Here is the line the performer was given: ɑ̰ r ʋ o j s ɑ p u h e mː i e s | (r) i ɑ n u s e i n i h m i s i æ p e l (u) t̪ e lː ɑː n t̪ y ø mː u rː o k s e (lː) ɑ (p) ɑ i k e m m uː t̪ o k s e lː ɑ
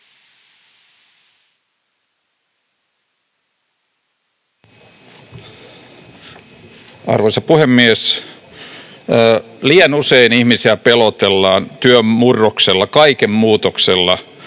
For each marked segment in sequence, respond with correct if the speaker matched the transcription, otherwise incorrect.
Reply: incorrect: l, incorrect: o, correct, incorrect: k

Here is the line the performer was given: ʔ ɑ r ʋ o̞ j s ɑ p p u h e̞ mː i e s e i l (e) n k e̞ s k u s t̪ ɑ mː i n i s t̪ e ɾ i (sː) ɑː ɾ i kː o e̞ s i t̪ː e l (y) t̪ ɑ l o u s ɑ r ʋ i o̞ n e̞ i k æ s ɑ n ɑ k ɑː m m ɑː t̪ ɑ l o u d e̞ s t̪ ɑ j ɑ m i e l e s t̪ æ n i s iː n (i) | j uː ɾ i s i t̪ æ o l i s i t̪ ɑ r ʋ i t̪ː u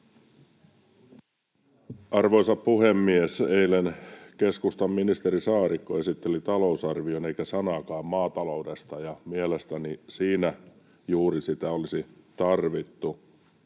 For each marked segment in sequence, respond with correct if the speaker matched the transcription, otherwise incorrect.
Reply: correct, incorrect: s, incorrect: i, incorrect: æ

